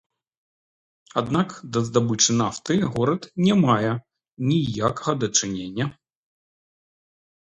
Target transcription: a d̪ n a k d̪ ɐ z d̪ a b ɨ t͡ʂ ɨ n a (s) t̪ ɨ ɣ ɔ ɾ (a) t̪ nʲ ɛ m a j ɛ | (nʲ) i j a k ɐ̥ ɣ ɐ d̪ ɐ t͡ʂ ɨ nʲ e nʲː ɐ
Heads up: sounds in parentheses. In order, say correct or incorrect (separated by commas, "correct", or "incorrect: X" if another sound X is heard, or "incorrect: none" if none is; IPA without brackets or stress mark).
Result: incorrect: f, incorrect: ɐ, correct